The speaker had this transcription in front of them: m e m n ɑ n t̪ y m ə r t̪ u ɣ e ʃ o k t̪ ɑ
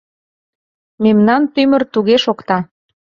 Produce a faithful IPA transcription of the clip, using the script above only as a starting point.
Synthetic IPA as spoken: m e m n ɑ n t̪ y m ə r t̪ u ɣ e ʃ o k t̪ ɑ